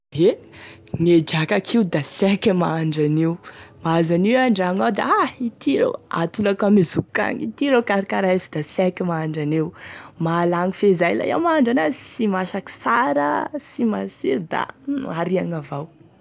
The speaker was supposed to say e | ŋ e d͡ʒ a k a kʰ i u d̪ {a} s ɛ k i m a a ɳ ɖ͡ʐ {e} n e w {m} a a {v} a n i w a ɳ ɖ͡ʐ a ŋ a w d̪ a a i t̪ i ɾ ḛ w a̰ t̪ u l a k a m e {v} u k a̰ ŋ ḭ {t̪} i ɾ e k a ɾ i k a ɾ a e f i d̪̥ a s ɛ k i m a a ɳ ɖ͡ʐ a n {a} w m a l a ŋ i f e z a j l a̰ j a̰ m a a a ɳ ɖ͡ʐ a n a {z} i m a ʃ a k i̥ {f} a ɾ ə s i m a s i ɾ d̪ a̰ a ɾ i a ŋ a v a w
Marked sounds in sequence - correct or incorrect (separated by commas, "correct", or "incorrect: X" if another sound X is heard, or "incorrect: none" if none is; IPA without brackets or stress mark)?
correct, incorrect: a, correct, incorrect: z, incorrect: z, correct, incorrect: e, incorrect: s, incorrect: s